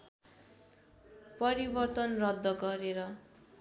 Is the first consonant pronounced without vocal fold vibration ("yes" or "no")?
yes